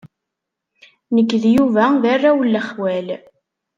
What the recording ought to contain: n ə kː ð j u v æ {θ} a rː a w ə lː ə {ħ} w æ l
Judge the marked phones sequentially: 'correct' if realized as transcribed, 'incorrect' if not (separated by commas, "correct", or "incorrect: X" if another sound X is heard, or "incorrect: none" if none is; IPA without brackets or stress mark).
incorrect: ð, incorrect: χ